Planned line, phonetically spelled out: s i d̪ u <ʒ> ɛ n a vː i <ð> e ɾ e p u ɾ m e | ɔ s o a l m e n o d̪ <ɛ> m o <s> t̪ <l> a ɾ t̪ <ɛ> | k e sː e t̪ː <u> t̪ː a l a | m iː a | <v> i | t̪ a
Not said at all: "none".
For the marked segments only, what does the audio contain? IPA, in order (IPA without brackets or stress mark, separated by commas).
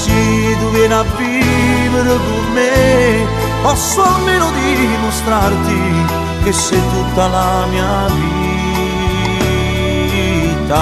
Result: v, v, i, s, ɾ, i, u, v